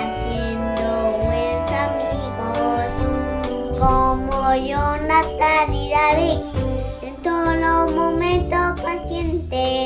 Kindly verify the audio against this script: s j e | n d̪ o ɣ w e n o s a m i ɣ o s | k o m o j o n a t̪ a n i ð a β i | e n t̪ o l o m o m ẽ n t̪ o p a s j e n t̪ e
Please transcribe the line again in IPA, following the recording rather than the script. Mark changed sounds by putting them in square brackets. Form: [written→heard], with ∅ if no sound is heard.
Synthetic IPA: s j e | n d̪ o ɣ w e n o s a m i ɣ o s | k o m o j o n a t̪ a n i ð a β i | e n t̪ o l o m o m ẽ n t̪ o p a s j e n t̪ e